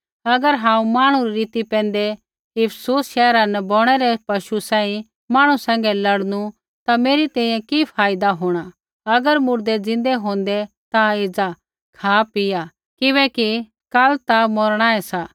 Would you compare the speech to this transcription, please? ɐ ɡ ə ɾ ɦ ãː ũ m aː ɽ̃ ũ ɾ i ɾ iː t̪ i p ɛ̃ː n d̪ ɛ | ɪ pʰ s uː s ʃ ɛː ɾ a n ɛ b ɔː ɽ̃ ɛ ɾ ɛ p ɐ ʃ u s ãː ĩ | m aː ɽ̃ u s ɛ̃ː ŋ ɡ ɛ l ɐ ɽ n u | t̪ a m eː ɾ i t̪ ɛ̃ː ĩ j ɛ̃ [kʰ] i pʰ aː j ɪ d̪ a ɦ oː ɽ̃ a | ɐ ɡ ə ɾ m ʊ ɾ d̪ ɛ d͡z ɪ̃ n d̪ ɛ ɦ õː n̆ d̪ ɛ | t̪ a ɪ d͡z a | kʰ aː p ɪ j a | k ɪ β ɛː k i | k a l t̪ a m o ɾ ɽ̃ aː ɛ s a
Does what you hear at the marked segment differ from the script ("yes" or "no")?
yes